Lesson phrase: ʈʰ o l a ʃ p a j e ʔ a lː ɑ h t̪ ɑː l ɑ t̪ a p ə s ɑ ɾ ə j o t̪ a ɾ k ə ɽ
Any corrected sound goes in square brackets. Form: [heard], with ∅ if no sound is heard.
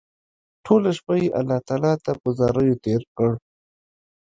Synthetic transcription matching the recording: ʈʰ o l a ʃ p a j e ʔ a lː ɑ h t̪ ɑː l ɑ t̪ a p ə [z] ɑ ɾ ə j o t̪ [e] ɾ k ə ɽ